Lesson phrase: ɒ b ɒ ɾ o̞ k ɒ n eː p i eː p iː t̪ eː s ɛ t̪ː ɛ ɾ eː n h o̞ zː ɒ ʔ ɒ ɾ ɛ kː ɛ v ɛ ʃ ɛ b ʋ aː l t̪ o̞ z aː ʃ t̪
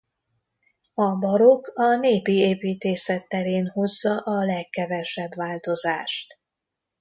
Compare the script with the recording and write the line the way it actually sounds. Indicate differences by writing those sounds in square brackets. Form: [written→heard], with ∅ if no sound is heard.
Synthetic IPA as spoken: ɒ b ɒ ɾ o̞ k ɒ n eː p i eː p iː t̪ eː s ɛ t̪ː ɛ ɾ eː n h o̞ zː ɒ ʔ ɒ [ɾ→l] ɛ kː ɛ v ɛ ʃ ɛ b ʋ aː l t̪ o̞ z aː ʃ t̪